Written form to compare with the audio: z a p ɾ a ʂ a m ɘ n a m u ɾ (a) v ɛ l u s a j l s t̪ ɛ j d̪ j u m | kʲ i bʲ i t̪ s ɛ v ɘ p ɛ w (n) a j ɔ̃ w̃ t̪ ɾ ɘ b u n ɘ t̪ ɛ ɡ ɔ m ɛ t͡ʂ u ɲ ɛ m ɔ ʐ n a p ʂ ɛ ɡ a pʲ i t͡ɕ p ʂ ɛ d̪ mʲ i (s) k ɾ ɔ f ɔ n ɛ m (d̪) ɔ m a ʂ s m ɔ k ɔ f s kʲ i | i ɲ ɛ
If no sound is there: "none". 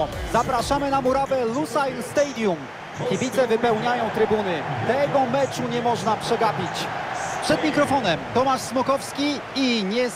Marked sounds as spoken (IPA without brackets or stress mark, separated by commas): a, ɲ, none, t̪